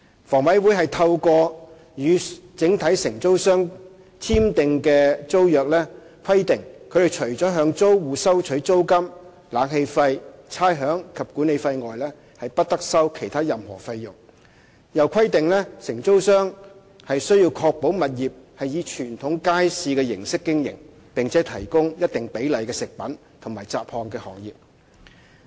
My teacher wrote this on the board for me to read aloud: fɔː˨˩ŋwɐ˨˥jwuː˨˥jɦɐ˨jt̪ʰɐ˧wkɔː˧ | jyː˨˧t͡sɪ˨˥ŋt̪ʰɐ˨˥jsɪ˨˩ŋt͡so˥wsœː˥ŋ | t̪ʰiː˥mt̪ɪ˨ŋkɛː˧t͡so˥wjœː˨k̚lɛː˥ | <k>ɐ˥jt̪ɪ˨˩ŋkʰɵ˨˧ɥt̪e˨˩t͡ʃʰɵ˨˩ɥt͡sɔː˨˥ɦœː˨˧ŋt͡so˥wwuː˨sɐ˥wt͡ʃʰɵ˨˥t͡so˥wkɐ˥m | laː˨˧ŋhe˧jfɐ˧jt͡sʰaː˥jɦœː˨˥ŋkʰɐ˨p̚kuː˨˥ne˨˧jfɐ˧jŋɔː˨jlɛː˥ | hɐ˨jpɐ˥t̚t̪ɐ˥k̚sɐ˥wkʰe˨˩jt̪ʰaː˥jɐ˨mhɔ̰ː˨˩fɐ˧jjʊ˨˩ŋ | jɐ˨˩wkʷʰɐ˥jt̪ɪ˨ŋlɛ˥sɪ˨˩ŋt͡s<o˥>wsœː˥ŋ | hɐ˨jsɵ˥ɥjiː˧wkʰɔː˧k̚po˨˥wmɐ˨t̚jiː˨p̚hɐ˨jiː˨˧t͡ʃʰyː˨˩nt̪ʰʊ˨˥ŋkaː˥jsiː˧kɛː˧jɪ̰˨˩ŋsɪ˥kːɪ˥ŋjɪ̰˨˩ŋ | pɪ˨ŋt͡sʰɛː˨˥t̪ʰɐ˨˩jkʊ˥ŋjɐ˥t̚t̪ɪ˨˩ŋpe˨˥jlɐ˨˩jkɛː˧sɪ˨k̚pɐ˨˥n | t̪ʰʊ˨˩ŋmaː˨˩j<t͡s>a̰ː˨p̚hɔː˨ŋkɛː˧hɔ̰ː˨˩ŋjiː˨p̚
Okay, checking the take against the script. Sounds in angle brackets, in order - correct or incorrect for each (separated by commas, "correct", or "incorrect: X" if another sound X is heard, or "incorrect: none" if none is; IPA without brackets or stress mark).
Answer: incorrect: kʰ, correct, correct